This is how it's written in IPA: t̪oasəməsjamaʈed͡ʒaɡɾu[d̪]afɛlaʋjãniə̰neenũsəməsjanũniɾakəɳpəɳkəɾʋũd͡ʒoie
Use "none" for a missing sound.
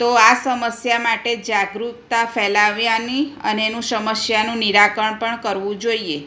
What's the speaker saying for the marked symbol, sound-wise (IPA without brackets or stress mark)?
t̪